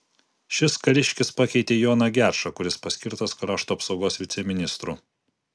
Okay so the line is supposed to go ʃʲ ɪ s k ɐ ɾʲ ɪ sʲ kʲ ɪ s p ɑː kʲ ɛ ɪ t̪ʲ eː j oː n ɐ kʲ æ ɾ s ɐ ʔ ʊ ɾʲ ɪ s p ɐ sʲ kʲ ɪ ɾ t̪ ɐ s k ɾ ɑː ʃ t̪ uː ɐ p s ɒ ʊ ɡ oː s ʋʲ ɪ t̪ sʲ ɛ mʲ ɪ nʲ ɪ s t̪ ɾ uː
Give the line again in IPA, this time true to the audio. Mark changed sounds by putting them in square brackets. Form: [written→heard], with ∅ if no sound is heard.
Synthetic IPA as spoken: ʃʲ ɪ s k ɐ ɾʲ ɪ [sʲ→ʃʲ] kʲ ɪ s p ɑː kʲ ɛ ɪ t̪ʲ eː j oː n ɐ [kʲ→ɡʲ] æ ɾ [s→ʃ] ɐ [ʔ→k] ʊ ɾʲ ɪ s p ɐ sʲ kʲ ɪ ɾ t̪ ɐ s k ɾ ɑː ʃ t̪ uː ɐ p s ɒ ʊ ɡ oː s ʋʲ ɪ t̪ sʲ ɛ mʲ ɪ nʲ ɪ s t̪ ɾ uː